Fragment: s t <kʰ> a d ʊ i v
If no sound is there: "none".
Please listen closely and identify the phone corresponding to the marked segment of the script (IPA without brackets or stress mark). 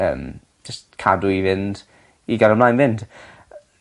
kʰ